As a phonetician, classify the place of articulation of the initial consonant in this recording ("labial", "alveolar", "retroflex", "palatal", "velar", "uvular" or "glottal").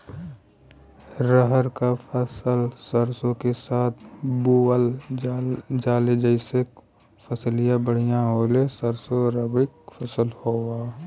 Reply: alveolar